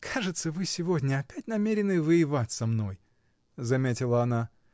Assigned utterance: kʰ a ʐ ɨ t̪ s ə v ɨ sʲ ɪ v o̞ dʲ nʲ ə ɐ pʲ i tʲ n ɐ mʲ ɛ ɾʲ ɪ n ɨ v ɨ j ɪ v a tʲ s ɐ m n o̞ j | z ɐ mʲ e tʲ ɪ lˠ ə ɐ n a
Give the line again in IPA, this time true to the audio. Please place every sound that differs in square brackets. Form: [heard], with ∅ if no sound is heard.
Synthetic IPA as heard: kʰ a ʐ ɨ t̪ s ə v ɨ sʲ ɪ v o̞ dʲ nʲ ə ɐ pʲ [æ] tʲ n ɐ mʲ [e] ɾʲ ɪ n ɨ v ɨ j ɪ v a tʲ s ɐ m n o̞ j | z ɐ mʲ e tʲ ɪ lˠ ə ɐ n a